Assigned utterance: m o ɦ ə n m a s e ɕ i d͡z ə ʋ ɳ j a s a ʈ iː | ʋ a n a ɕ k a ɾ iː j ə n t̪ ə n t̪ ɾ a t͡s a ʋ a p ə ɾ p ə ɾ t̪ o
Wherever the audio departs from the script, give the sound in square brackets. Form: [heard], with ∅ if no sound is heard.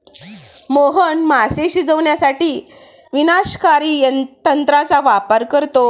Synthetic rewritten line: m o ɦ ə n m a s e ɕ i d͡z ə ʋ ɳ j a s a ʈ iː | ʋ [i] n a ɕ k a ɾ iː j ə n t̪ ə n t̪ ɾ a t͡s a ʋ a p ə ɾ [k] ə ɾ t̪ o